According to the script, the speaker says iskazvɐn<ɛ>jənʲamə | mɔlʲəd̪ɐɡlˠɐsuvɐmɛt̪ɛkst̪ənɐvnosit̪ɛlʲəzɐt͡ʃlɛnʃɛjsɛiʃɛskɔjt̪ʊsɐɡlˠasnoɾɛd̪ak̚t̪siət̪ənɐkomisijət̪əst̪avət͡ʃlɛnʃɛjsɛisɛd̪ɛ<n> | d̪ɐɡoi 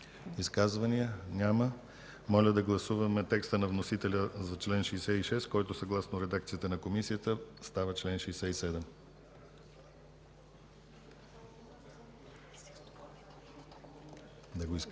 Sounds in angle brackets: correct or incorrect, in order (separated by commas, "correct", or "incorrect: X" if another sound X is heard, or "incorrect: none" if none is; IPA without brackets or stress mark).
incorrect: i, incorrect: m